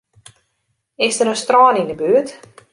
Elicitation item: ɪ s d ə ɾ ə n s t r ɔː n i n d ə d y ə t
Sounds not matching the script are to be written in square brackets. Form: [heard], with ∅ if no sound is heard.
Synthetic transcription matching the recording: ɪ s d ə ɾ ə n s t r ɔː n i n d ə [b] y ə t